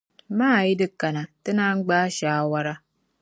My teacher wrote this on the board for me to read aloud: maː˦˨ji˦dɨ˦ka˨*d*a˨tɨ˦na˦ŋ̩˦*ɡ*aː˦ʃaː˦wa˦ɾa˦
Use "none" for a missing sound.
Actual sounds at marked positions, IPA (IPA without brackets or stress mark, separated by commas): n, ɡ͡b